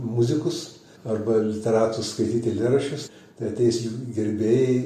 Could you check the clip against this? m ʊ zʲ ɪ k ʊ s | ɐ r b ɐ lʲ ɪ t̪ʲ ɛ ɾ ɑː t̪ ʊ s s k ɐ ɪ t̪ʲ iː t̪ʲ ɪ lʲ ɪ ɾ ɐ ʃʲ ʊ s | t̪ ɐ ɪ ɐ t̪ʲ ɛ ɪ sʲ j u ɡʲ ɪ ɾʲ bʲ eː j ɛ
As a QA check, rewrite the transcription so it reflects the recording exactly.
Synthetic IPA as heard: m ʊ zʲ ɪ k ʊ s | ɐ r b ɐ lʲ ɪ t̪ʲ ɛ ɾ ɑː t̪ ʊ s s k ɐ ɪ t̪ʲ iː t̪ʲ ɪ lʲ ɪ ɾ ɐ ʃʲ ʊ s | t̪ ɐ ɪ ɐ t̪ʲ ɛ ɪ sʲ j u ɡʲ ɪ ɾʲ bʲ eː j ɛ